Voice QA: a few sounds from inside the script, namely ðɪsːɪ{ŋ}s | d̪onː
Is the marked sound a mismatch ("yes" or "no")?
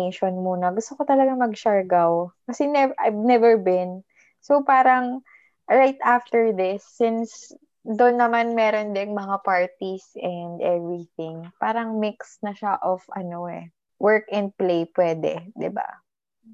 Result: yes